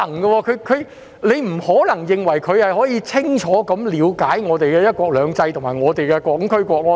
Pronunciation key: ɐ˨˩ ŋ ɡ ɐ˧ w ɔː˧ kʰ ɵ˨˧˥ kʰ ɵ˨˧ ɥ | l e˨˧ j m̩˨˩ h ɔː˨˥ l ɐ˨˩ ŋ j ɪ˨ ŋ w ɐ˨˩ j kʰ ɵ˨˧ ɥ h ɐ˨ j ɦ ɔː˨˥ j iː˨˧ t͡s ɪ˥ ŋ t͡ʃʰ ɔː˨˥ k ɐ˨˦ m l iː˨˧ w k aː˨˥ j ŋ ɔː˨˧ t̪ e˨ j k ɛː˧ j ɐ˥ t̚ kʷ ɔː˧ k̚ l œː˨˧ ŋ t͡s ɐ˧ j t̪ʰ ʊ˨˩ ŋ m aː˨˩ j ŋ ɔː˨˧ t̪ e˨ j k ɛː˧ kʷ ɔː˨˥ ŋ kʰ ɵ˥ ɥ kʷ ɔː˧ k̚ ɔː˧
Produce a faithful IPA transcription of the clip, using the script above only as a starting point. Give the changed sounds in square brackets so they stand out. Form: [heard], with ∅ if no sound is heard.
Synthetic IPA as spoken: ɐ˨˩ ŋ ɡ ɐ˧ w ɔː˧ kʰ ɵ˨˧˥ kʰ ɵ˨˧ ɥ | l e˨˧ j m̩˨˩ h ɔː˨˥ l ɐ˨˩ ŋ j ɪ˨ ŋ w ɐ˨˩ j kʰ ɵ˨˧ ɥ h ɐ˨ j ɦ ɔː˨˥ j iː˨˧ [t͡sʰ] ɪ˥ ŋ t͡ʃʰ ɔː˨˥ k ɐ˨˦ m l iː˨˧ w k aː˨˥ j ŋ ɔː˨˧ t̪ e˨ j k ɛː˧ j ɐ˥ t̚ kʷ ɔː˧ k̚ l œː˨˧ ŋ t͡s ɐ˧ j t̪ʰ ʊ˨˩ ŋ m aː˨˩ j ŋ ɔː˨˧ t̪ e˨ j k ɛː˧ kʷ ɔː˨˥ ŋ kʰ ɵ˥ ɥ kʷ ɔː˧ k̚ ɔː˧